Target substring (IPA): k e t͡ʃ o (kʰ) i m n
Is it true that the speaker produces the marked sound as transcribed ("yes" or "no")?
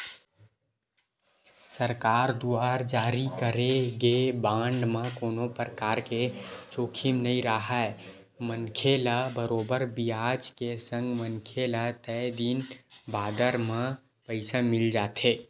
yes